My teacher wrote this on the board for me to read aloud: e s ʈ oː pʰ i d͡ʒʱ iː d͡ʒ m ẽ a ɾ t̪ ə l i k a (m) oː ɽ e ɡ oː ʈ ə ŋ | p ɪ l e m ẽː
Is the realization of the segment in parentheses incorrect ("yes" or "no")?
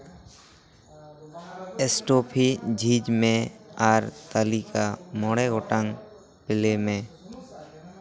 no